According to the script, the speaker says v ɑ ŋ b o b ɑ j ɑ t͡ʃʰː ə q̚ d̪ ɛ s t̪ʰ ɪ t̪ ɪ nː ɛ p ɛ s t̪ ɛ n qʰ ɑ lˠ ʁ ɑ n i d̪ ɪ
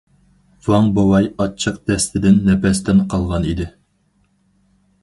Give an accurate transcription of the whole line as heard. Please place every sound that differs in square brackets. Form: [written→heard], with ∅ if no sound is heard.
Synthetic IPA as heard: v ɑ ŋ b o [b→w] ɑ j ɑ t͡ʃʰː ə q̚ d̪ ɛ s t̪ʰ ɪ [t̪→d̪] ɪ nː ɛ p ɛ s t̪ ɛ n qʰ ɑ lˠ ʁ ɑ n i d̪ ɪ

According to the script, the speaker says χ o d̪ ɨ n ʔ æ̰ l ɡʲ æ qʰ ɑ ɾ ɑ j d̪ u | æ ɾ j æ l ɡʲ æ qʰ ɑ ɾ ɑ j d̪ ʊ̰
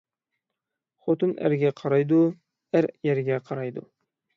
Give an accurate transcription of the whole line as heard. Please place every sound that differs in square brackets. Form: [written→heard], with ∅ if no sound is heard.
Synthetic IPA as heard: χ o [d̪→t̪] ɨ n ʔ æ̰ [l→ɾ] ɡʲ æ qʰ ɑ ɾ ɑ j d̪ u | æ ɾ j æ [l→ɾ] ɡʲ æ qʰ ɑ ɾ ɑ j d̪ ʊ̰

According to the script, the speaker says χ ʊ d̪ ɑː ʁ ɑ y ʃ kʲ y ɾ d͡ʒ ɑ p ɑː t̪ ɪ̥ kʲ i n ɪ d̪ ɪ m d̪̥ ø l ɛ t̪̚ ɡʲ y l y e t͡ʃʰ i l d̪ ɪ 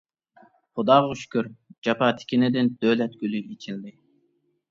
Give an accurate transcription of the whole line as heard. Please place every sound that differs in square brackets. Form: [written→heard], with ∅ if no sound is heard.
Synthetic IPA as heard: χ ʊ d̪ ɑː ʁ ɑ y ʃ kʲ y ɾ d͡ʒ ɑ p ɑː [t̪→t̪ʰ] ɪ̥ kʲ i n ɪ d̪ ɪ [m→n] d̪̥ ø l ɛ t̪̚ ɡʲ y l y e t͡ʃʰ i l d̪ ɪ

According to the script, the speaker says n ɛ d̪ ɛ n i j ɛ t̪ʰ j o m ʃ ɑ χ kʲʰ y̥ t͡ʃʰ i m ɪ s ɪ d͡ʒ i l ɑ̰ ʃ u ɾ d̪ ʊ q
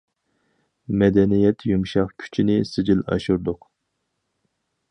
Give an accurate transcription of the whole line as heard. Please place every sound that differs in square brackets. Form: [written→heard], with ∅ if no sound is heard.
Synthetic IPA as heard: [n→m] ɛ d̪ ɛ n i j ɛ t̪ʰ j [o→u] m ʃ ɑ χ kʲʰ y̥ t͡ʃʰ i [m→n] ɪ s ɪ d͡ʒ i l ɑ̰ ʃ u ɾ d̪ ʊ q

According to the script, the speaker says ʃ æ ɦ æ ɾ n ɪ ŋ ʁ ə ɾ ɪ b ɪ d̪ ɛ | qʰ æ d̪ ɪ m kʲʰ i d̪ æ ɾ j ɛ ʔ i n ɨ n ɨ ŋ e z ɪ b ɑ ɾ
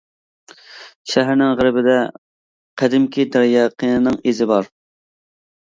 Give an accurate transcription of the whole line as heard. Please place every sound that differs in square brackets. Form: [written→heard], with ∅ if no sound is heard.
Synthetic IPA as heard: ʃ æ ɦ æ ɾ n ɪ ŋ ʁ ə ɾ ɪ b ɪ d̪ ɛ | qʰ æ d̪ ɪ m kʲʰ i d̪ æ ɾ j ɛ [ʔ→q] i n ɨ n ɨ ŋ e z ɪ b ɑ ɾ

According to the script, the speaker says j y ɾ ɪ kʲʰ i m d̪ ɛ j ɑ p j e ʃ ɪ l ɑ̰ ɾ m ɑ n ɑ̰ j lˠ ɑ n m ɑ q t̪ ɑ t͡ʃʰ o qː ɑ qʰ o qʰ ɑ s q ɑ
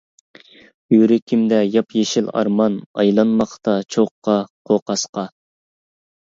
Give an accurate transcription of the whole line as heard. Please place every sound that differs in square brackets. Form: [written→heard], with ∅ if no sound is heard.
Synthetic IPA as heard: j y ɾ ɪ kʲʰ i m d̪ ɛ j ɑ p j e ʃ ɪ l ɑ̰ ɾ m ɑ n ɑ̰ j lˠ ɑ n m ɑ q t̪ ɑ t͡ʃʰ o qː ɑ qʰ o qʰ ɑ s q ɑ

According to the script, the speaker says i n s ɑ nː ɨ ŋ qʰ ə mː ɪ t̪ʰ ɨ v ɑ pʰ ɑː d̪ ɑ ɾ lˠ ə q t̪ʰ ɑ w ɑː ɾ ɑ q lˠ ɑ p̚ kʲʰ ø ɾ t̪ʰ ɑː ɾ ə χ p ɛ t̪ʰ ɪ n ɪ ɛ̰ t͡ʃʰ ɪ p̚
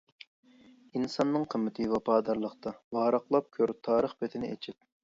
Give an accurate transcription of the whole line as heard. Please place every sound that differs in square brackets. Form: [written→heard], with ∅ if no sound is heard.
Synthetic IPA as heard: i n s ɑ nː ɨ ŋ qʰ ə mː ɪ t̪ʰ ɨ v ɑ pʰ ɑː d̪ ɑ ɾ lˠ ə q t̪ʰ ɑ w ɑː ɾ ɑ q lˠ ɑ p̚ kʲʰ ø ɾ t̪ʰ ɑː ɾ ə χ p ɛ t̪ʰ ɪ n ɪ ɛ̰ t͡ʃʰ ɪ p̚

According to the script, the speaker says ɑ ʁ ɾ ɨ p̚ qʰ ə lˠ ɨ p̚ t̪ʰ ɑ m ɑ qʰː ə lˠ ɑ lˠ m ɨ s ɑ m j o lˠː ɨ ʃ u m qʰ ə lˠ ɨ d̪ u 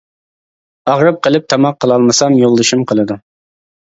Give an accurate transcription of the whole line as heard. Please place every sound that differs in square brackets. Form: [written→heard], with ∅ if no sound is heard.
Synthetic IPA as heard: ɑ ʁ ɾ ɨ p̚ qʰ ə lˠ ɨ p̚ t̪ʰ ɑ m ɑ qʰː ə lˠ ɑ lˠ m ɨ s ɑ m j o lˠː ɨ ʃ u m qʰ ə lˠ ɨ d̪ u

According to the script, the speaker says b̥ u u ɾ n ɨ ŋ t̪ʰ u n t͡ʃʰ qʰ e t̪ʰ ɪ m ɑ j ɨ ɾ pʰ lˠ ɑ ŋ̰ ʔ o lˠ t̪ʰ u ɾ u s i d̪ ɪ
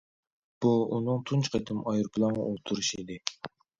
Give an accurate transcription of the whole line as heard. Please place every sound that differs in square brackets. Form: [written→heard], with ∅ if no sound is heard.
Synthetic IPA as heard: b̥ u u [ɾ→∅] n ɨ ŋ t̪ʰ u n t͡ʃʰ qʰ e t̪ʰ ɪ m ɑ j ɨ ɾ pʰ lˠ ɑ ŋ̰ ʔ o lˠ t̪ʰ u ɾ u [s→ʃ] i d̪ ɪ

